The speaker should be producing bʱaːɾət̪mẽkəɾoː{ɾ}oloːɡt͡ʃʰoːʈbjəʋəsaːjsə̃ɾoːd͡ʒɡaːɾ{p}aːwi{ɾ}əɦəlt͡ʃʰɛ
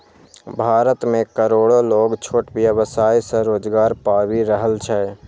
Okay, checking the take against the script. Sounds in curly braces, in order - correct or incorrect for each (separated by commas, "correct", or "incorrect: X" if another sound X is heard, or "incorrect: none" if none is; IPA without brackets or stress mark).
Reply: incorrect: ɽ, correct, correct